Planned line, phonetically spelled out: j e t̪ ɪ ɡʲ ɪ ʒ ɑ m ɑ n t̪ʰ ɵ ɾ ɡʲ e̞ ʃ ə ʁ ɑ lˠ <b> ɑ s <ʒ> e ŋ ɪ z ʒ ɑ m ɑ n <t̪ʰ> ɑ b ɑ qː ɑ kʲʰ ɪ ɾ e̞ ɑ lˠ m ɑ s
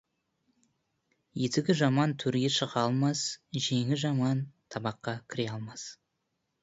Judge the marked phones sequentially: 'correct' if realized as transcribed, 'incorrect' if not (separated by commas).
incorrect, correct, correct